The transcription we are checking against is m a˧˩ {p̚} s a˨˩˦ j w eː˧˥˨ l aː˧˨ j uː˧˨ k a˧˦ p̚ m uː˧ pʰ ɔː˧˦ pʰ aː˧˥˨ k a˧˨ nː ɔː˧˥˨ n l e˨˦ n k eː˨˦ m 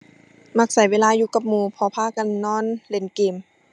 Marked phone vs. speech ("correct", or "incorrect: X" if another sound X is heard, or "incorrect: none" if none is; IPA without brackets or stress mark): incorrect: k̚